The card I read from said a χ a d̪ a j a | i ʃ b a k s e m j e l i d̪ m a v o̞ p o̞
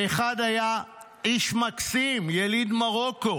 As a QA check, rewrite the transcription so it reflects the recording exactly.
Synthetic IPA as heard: e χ a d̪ a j a | i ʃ m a k s i m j e l i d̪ m a ʁ o̞ k o̞